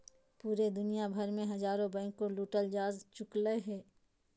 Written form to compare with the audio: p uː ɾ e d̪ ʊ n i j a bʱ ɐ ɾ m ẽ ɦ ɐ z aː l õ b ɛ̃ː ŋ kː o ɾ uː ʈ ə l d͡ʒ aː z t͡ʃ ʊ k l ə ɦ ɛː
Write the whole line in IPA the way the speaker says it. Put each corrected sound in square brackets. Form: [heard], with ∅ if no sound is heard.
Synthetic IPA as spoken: p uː ɾ e d̪ ʊ n i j a bʱ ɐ ɾ m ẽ ɦ ɐ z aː [ɾ] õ b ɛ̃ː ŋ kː o [l] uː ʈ ə l d͡ʒ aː z t͡ʃ ʊ k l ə ɦ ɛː